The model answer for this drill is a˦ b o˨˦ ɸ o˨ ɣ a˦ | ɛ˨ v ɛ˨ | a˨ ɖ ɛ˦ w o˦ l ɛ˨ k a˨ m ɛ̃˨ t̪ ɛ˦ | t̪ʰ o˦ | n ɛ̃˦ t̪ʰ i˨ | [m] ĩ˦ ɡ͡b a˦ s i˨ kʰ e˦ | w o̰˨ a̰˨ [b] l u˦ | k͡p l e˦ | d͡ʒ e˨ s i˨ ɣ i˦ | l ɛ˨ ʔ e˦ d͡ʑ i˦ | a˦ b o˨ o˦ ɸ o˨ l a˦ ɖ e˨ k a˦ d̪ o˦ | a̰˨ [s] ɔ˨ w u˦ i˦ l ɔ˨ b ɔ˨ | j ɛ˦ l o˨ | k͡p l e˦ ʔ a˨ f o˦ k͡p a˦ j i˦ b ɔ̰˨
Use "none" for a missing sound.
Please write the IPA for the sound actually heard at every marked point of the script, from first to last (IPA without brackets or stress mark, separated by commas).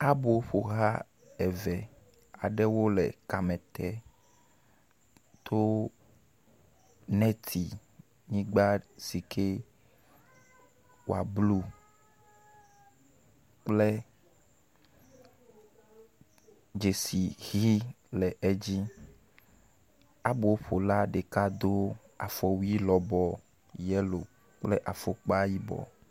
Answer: ɲ, b, f